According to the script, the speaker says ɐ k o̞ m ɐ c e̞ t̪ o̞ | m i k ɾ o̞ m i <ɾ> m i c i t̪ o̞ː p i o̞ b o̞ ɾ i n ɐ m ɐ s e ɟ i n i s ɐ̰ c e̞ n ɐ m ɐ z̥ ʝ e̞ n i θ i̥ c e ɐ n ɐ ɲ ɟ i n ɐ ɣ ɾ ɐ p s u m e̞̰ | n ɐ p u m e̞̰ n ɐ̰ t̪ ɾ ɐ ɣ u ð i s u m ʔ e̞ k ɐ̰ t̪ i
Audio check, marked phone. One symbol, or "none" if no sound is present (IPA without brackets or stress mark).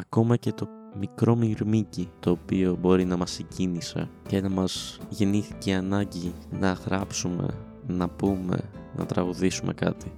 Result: ɾ